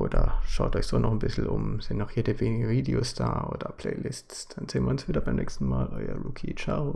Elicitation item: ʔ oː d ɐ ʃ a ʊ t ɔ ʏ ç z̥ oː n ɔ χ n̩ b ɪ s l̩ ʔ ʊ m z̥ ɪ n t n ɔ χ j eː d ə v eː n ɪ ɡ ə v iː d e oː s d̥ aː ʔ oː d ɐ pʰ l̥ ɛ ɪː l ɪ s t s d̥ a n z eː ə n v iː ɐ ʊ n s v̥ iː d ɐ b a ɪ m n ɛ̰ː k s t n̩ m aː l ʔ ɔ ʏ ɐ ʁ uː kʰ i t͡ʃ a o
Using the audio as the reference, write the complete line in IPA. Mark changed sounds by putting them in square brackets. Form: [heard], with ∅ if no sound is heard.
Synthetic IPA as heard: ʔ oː d ɐ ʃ a ʊ t ɔ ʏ ç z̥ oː n ɔ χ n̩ b ɪ s l̩ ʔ ʊ m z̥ ɪ n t n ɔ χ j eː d ə v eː n ɪ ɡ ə v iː d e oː s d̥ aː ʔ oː d ɐ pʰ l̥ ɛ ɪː l ɪ s t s d̥ a n z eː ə n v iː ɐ ʊ n s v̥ iː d ɐ b a ɪ m n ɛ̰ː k s t n̩ m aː l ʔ ɔ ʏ ɐ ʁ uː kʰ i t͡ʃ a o

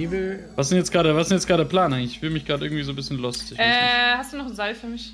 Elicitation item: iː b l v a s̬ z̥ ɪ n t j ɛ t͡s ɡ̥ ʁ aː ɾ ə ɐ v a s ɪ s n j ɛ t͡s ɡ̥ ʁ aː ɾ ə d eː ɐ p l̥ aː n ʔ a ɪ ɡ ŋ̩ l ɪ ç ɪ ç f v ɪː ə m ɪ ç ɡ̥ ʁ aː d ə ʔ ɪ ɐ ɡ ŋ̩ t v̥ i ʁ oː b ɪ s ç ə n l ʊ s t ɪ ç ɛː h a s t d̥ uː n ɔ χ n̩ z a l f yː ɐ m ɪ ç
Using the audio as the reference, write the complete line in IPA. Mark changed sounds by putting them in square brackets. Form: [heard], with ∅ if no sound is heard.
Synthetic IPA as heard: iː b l v a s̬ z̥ ɪ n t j ɛ t͡s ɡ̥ ʁ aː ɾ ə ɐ v a s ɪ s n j ɛ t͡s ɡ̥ ʁ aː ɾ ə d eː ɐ p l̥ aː n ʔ a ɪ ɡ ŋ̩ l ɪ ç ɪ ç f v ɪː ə m ɪ ç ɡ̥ ʁ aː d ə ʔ ɪ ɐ ɡ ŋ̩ t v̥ i [z] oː b ɪ s ç ə n l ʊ s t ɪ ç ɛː h a s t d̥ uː n ɔ χ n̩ z a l f yː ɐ m ɪ ç

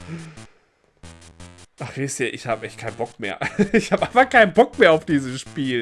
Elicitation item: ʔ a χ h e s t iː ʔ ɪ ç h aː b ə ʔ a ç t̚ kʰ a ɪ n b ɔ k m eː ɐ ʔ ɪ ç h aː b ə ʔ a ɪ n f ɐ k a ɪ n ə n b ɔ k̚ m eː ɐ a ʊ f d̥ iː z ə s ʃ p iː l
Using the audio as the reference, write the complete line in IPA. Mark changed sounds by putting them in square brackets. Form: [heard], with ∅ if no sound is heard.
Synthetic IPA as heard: ʔ a χ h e s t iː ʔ ɪ ç h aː b ə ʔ [ɛ] ç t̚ kʰ a ɪ n b ɔ k m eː ɐ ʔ ɪ ç h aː b ə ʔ a ɪ n f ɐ k a ɪ n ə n b ɔ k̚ m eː ɐ a ʊ f d̥ iː z ə s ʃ p iː l

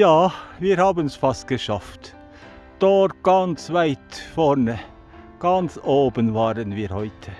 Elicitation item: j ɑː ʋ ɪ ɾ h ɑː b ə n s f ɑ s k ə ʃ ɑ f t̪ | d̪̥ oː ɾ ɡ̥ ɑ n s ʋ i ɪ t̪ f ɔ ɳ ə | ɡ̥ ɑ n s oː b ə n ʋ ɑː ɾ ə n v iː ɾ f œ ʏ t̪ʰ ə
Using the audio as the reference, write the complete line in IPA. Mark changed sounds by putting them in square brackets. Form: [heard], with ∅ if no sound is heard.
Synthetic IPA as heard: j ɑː ʋ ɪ ɾ h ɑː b ə n s f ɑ s k ə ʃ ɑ f t̪ | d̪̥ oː ɾ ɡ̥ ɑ n s ʋ [æ] ɪ t̪ f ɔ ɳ ə | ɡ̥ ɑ n s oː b ə n ʋ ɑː ɾ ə n [ʋ] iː ɾ [h] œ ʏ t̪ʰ ə

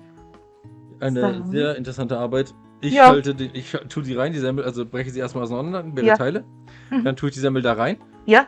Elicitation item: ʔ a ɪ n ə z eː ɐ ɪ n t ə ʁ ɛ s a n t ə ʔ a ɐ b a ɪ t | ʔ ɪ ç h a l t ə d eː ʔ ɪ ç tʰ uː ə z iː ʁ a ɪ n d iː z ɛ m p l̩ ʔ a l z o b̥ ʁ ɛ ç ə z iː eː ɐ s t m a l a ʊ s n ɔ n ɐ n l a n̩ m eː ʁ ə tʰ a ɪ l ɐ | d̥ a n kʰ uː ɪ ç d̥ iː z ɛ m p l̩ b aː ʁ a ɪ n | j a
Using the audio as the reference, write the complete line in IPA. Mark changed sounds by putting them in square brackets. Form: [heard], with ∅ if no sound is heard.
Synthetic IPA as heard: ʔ a ɪ n ə z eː ɐ ɪ n t ə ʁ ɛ s a n t ə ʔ a ɐ b a ɪ t | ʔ ɪ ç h a l t ə d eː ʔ ɪ ç tʰ uː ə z iː ʁ a ɪ n d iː z ɛ m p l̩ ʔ a l z o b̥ ʁ ɛ ç ə z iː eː ɐ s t m a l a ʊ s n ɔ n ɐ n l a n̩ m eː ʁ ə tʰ a ɪ l [ə] | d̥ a n [tʰ] uː ɪ ç d̥ iː z ɛ m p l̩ [d] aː ʁ a ɪ n | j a

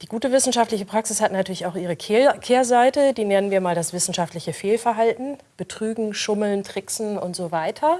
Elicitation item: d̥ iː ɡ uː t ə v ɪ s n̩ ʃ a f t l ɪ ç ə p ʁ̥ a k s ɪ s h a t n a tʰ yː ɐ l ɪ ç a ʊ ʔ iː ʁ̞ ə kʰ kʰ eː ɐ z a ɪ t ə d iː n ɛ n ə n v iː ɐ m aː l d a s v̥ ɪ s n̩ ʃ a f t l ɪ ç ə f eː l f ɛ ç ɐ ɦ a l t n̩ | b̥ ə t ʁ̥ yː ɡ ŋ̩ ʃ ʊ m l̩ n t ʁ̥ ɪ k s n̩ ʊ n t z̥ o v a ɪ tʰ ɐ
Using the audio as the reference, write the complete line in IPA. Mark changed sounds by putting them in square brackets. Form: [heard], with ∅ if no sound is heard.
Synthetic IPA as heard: d̥ iː ɡ uː t ə v ɪ s n̩ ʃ a f t l ɪ ç ə p ʁ̥ a k s ɪ s h a t n a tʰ yː ɐ l ɪ ç a ʊ ʔ iː ʁ̞ ə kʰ kʰ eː ɐ z a ɪ t ə d iː n ɛ n ə n v iː ɐ m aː l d a s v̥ ɪ s n̩ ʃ a f t l ɪ ç ə f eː l f ɛ [∅] ɐ ɦ a l t n̩ | b̥ ə t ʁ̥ yː ɡ ŋ̩ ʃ ʊ m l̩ n t ʁ̥ ɪ k s n̩ ʊ n t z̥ o v a ɪ tʰ ɐ

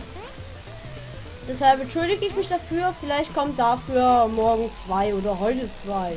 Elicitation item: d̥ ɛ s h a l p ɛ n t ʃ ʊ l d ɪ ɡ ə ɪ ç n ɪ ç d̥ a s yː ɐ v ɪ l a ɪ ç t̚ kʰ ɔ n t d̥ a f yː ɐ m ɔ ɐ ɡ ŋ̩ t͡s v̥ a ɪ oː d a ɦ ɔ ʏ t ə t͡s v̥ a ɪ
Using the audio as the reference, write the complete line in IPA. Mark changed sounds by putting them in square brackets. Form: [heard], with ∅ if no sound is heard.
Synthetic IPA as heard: d̥ ɛ s h a l p ɛ n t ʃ ʊ l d ɪ ɡ ə ɪ ç [m] ɪ ç d̥ a [f] yː ɐ [f] ɪ l a ɪ ç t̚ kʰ ɔ [m] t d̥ a f yː ɐ m ɔ ɐ ɡ ŋ̩ t͡s v̥ a ɪ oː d [ɐ] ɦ ɔ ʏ t ə t͡s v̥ a ɪ

